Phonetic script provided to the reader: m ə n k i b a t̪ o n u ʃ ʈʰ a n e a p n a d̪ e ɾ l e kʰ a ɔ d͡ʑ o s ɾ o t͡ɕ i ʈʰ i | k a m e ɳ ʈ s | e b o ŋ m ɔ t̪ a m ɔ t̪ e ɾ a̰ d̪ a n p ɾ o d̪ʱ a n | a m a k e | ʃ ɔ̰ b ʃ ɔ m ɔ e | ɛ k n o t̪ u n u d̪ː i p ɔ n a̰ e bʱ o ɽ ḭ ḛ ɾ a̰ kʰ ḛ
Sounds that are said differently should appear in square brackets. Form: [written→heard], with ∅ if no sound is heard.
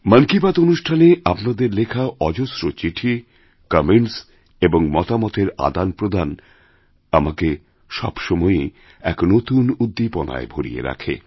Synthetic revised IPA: m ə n k i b a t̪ o n u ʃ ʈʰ a n e a p n a d̪ e ɾ l e kʰ a ɔ d͡ʑ o s ɾ o t͡ɕ i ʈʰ i | k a m e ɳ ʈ s | e b o ŋ m ɔ t̪ a m ɔ t̪ e ɾ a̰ d̪ a n p ɾ o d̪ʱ a n | a m a k e | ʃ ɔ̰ b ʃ ɔ m ɔ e | ɛ k n o t̪ u n u d̪ː i p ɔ n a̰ e bʱ o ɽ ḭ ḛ ɾ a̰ kʰ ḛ

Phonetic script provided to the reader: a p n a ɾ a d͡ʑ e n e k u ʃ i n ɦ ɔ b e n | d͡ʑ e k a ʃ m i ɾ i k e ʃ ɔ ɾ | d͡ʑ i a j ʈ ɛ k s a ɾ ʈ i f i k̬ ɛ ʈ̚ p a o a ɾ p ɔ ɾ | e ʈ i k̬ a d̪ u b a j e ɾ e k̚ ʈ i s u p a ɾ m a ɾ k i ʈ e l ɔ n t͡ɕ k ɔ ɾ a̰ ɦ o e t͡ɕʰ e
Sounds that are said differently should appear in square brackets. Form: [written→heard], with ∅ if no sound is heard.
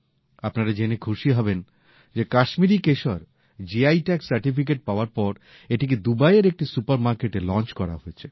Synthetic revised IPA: a p n a ɾ a d͡ʑ e n e [k→kʰ] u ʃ i [n→∅] ɦ ɔ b e n | d͡ʑ e k a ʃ m i ɾ i k e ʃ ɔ ɾ | d͡ʑ i a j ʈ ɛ k s a ɾ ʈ i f i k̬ [ɛ→e] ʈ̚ p a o a ɾ p ɔ ɾ | e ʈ i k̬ [a→e] d̪ u b a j e ɾ e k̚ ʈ i s u p a ɾ m a ɾ k [i→e] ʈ e l ɔ n t͡ɕ k ɔ ɾ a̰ ɦ o e t͡ɕʰ e

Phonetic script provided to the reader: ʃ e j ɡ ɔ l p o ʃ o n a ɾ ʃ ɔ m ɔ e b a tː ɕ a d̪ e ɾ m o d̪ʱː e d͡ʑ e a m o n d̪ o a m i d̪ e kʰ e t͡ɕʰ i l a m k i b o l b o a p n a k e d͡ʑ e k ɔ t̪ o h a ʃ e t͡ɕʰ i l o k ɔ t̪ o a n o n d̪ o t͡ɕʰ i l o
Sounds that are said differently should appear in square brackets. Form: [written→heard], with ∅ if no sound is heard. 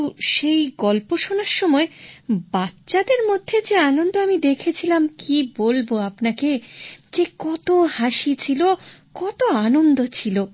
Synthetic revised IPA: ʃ e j ɡ ɔ l p o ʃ o n a ɾ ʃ ɔ m ɔ e b a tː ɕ a d̪ e ɾ m o d̪ʱː e d͡ʑ e a [m→n] o n d̪ o a m i d̪ e kʰ e t͡ɕʰ i l a m k i b o l b o a p n a k e d͡ʑ e k ɔ t̪ o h a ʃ [e→i] t͡ɕʰ i l o k ɔ t̪ o a n o n d̪ o t͡ɕʰ i l o

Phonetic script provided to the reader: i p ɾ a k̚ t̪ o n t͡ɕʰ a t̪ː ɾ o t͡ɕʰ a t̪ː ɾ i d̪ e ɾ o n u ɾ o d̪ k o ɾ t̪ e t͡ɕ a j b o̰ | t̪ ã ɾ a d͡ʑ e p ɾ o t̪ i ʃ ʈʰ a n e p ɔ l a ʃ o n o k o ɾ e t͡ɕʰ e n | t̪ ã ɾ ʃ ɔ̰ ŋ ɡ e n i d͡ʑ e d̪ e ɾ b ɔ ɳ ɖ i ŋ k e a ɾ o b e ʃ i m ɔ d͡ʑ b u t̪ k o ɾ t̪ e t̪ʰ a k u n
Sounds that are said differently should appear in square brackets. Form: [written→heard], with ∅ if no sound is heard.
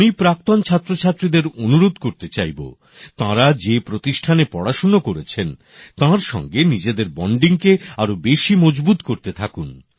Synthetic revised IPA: i p ɾ a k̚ t̪ o n t͡ɕʰ a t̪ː ɾ o t͡ɕʰ a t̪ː ɾ i d̪ e ɾ o n u ɾ o d̪ k o ɾ t̪ e t͡ɕ a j b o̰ | t̪ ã ɾ a d͡ʑ e p ɾ o t̪ i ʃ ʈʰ a n e p ɔ [l→ɽ] a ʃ o n o k o ɾ e t͡ɕʰ e n | t̪ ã ɾ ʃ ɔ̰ ŋ ɡ e n i d͡ʑ e d̪ e ɾ b ɔ ɳ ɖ i ŋ k e a ɾ o b e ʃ i m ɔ d͡ʑ b u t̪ k o ɾ t̪ e t̪ʰ a k u n

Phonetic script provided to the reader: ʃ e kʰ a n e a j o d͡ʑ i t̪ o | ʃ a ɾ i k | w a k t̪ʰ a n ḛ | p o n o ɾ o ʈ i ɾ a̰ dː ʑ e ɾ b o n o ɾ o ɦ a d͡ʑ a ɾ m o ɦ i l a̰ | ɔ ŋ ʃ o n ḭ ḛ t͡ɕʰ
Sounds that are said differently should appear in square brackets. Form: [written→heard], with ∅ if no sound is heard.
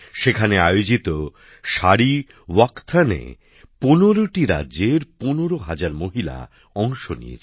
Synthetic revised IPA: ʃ e kʰ a n e a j o d͡ʑ i t̪ o | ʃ a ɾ i [k→∅] | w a k t̪ʰ a n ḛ | p o n o ɾ o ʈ i ɾ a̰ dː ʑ e ɾ [b→p] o n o ɾ o ɦ a d͡ʑ a ɾ m o ɦ i l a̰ | ɔ ŋ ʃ o n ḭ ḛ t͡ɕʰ

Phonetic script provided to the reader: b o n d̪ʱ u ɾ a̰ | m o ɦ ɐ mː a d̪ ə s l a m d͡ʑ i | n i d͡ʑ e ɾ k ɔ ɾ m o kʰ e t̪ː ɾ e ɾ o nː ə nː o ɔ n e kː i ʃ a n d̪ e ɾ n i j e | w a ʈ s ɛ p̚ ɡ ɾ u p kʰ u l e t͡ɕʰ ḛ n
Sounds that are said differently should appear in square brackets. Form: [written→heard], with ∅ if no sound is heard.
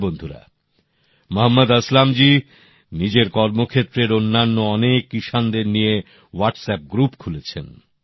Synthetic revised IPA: b o n d̪ʱ u ɾ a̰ | m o ɦ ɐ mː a d̪ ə s l a m d͡ʑ i | n i d͡ʑ e ɾ k ɔ ɾ m o kʰ e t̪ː ɾ e ɾ o nː [ə→a] nː o ɔ n e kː i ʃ a n d̪ e ɾ n i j e | w a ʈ s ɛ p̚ ɡ ɾ u p kʰ u l e t͡ɕʰ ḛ n

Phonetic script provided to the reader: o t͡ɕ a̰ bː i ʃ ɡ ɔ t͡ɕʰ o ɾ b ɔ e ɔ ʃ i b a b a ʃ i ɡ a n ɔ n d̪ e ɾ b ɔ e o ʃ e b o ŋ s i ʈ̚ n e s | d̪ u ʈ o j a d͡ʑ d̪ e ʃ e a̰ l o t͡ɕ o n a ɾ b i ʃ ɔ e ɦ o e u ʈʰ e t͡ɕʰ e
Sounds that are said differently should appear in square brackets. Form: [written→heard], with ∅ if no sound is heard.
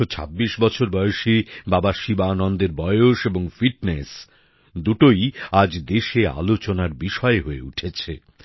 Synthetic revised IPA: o [t͡ɕ→t͡ɕʰ] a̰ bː i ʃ [ɡ→b] ɔ t͡ɕʰ o ɾ b ɔ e [ɔ→o] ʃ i b a b a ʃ i [ɡ→b] a n ɔ n d̪ e ɾ b ɔ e o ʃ e b o ŋ [s→f] i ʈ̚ n e s | d̪ u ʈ o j a d͡ʑ d̪ e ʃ e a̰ l o t͡ɕ o n a ɾ b i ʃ ɔ e ɦ o e u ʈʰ e t͡ɕʰ e

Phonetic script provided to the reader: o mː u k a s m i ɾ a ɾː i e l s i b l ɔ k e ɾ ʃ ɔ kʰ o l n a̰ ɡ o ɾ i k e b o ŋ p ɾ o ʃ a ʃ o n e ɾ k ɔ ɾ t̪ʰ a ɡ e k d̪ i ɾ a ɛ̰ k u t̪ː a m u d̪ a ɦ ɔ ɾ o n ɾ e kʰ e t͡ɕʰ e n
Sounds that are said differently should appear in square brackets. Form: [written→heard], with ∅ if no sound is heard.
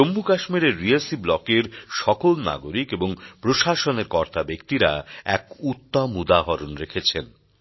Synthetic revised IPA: o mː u k a [s→ʃ] m i ɾ [a→e] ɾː i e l s i b l ɔ k e ɾ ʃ ɔ [kʰ→k] o l n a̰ ɡ o ɾ i k e b o ŋ p ɾ o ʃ a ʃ o n e ɾ k ɔ ɾ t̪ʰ a [ɡ→b] e k [d̪→t̪] i ɾ a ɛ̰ k u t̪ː a m u d̪ a ɦ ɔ ɾ o n ɾ e kʰ e t͡ɕʰ e n

